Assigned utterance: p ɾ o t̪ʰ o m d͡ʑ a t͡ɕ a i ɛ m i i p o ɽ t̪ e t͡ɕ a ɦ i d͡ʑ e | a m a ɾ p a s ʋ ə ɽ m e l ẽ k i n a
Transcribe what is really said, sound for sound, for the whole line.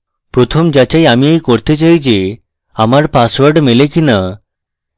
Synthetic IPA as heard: p ɾ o t̪ʰ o m d͡ʑ a t͡ɕ a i a m i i k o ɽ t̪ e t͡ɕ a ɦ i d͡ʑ e | a m a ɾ p a s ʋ ə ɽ m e l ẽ k i n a